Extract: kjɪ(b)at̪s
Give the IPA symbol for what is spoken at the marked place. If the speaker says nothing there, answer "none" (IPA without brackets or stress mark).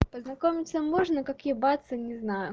b